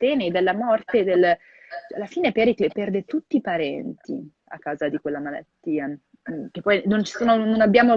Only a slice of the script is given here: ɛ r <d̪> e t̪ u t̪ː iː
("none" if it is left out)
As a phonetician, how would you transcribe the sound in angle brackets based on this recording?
d̪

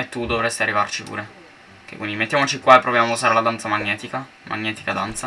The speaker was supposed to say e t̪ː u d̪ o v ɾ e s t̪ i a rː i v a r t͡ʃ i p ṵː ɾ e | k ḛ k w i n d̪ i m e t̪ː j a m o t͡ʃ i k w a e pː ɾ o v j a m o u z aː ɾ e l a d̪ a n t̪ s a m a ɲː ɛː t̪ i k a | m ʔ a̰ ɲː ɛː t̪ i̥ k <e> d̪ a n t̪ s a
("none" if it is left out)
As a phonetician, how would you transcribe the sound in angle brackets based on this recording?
a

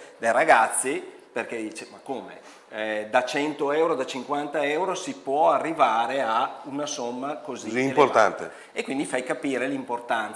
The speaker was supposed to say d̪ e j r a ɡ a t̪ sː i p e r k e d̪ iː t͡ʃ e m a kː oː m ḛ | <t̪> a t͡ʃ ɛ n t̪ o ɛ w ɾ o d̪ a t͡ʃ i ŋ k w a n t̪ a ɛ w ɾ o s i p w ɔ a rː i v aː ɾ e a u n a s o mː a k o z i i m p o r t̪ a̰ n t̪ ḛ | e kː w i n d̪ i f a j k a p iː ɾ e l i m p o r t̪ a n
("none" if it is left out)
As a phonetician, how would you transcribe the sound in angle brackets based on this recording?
d̪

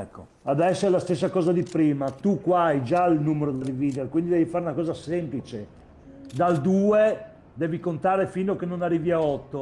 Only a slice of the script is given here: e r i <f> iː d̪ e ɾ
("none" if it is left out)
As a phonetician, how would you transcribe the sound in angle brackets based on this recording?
v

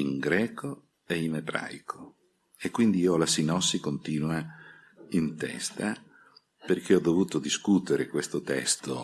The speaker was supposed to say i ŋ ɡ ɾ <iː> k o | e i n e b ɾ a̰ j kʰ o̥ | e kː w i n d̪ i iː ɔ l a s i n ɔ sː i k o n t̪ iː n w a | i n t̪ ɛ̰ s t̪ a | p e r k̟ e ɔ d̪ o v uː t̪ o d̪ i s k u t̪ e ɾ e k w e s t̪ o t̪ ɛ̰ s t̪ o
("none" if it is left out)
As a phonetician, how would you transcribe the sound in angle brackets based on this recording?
ɛː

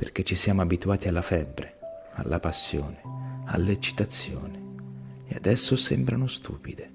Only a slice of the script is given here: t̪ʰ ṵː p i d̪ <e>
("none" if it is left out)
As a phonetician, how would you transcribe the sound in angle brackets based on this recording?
e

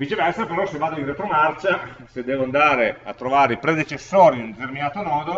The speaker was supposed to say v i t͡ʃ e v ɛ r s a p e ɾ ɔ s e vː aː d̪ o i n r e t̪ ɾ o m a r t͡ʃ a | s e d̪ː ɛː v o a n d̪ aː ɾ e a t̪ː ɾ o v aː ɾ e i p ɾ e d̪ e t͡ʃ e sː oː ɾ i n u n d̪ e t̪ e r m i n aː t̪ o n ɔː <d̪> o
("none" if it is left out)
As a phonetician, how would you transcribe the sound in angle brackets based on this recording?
d̪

